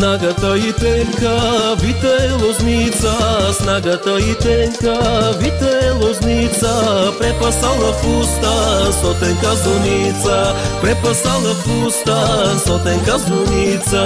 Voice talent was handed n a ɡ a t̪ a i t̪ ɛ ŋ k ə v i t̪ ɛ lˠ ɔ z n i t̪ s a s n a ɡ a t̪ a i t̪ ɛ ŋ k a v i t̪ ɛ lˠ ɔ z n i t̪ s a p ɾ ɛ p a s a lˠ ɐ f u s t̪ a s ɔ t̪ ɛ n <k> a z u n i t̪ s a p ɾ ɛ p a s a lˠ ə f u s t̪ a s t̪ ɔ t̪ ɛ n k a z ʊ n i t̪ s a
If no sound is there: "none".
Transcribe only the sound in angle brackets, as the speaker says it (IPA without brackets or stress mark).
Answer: k